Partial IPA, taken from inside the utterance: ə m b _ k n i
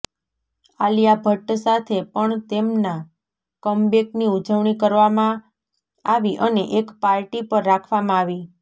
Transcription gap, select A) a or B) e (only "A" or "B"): B